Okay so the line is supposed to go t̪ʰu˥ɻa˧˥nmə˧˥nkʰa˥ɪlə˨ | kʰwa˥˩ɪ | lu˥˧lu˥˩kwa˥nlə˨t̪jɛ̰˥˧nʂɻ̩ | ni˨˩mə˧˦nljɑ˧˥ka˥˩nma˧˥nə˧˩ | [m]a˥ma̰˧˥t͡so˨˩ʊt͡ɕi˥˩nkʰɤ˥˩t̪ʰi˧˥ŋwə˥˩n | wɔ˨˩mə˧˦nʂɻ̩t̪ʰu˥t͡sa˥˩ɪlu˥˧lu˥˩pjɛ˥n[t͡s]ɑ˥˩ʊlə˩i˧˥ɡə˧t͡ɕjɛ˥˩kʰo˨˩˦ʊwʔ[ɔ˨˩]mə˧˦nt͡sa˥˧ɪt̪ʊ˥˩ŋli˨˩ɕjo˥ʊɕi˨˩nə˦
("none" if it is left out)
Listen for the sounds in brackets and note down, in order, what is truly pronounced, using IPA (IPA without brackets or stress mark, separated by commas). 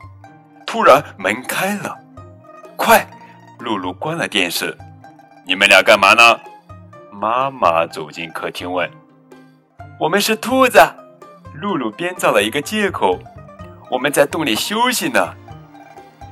m, t͡s, ɔ˨˩